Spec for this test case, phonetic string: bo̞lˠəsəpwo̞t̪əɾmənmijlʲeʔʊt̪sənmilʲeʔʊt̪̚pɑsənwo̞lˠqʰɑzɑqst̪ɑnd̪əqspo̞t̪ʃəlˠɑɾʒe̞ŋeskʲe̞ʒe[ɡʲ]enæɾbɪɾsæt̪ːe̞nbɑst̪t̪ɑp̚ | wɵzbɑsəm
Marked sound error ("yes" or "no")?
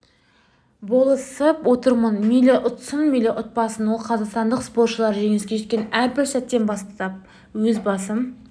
yes